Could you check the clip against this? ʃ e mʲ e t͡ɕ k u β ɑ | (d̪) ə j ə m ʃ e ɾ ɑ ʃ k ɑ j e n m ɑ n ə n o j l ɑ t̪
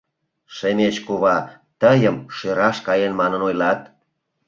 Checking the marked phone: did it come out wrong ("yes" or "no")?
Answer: yes